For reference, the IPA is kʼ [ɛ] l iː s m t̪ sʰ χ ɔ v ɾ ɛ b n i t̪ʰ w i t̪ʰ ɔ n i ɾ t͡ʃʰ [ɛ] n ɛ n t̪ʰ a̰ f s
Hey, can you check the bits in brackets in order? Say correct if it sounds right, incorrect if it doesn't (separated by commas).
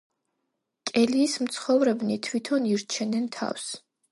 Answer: correct, correct